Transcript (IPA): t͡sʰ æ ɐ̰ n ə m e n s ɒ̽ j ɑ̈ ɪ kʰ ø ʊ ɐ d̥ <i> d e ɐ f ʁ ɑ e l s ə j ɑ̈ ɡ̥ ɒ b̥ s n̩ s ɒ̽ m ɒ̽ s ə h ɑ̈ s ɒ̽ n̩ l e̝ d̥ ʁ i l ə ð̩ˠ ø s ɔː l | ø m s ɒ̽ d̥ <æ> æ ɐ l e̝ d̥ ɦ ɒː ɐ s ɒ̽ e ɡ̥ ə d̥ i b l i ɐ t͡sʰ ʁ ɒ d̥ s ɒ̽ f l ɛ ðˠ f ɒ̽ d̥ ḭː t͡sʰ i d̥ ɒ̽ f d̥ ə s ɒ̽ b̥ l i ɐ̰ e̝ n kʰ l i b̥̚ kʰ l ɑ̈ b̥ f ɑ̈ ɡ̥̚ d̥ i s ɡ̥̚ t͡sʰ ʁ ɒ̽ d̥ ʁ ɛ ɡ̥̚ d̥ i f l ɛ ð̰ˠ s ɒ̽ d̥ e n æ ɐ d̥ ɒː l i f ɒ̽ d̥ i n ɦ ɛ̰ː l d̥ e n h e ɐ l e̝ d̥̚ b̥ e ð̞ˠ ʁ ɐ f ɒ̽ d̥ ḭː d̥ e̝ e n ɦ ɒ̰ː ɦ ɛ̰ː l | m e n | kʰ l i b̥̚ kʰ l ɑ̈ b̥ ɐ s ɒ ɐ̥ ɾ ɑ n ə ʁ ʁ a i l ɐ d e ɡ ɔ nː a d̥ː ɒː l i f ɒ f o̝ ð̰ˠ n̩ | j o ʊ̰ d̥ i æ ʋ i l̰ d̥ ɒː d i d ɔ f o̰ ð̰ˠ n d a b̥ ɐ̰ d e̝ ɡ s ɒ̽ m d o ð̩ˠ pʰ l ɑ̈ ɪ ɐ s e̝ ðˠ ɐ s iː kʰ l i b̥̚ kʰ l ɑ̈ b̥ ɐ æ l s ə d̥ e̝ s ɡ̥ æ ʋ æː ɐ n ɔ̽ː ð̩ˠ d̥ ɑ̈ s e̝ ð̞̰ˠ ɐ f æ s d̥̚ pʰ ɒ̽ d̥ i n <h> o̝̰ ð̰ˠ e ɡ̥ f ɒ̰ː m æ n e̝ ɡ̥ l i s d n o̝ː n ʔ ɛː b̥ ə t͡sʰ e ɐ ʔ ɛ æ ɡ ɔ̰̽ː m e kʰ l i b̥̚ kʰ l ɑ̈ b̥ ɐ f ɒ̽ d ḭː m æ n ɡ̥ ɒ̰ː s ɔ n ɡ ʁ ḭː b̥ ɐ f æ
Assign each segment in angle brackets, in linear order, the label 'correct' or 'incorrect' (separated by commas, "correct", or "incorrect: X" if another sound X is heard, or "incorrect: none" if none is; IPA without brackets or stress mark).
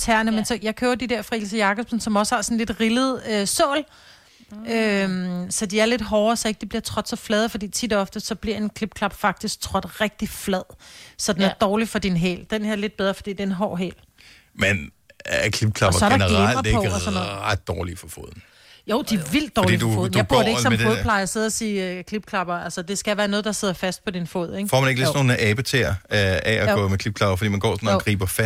correct, incorrect: i, incorrect: f